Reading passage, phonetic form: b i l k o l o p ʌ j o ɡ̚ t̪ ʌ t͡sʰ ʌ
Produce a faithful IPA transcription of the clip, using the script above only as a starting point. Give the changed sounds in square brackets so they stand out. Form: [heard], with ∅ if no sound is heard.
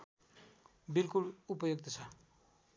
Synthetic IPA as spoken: b i l k [u] l [u] p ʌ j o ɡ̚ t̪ ʌ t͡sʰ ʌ